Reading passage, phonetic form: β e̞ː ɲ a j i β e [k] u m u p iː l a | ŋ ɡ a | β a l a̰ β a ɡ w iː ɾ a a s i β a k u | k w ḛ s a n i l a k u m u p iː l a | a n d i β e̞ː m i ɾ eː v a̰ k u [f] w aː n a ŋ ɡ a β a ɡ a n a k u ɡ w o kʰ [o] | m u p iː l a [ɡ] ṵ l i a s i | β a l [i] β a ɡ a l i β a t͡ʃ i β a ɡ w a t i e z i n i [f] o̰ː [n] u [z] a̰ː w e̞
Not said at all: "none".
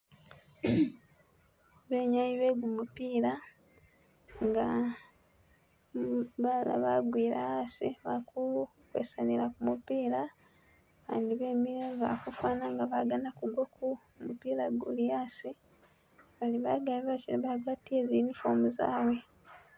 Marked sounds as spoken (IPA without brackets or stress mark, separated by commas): ɡ, f, u, ɡ, i, f, m, z